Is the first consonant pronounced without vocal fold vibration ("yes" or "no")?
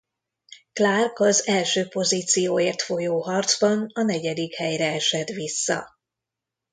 yes